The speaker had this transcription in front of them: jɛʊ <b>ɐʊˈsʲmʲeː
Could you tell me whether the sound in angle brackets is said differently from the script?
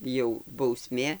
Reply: no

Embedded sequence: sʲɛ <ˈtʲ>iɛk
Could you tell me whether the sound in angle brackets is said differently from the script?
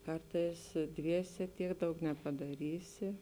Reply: no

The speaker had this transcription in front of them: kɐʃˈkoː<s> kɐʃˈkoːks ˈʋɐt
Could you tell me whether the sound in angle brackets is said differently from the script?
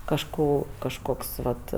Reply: yes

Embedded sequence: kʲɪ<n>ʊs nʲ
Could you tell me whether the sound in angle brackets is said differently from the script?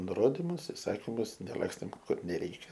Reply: yes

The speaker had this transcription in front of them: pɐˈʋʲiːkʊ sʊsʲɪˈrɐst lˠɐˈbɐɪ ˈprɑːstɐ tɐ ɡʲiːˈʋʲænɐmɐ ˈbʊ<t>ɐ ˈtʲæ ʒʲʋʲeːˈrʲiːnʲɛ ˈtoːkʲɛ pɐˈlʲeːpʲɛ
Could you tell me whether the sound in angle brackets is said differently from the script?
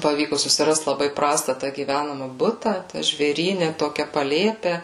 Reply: no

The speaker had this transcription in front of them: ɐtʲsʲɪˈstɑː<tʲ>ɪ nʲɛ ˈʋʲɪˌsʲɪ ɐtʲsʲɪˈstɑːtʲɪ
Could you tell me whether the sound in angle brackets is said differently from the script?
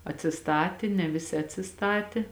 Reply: no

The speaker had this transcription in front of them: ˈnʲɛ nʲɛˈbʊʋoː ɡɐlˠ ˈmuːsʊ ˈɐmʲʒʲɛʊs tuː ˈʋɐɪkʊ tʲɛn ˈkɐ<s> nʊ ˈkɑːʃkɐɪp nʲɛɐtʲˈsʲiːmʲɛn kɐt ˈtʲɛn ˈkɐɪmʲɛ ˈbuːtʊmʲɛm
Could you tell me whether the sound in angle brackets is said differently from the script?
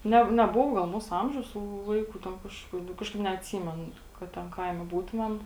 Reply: yes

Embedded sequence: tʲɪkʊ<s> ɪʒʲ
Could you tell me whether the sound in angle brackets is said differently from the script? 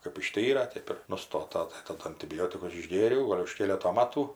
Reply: no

